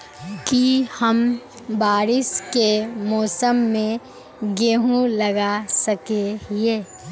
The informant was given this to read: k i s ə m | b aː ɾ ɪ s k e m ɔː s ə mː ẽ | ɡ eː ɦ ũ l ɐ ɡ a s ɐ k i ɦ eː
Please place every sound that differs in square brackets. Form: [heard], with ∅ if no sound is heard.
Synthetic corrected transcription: k i [h] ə m | b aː ɾ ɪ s k e m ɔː s ə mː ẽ | ɡ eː ɦ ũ l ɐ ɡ a s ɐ k [e] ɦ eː